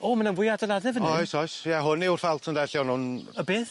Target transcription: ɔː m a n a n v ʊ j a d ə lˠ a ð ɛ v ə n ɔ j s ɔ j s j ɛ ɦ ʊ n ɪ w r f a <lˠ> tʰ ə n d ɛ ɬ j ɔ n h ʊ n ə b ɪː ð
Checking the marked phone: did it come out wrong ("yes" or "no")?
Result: no